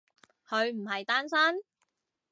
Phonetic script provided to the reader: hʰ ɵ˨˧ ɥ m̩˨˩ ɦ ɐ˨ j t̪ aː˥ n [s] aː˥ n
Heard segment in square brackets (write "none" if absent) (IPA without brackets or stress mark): s